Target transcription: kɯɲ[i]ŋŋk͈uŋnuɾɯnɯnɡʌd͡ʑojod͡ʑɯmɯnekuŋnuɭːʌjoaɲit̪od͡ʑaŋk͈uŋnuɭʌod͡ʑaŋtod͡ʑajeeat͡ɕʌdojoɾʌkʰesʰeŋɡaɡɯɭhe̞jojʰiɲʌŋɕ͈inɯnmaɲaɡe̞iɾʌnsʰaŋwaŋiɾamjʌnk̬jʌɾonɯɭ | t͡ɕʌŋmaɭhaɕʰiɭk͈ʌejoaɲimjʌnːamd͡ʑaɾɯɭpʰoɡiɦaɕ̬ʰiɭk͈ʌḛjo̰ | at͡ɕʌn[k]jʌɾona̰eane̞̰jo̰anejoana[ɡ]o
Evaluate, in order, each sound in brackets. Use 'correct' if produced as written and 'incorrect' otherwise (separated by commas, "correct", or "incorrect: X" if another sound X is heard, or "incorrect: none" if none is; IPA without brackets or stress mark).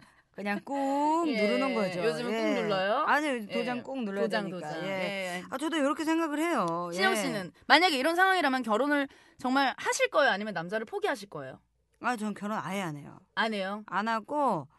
incorrect: a, correct, correct